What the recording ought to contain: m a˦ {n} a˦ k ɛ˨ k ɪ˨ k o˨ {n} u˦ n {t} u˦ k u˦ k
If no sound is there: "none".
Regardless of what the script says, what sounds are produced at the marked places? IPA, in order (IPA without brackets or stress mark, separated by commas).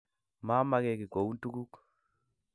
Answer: m, none, t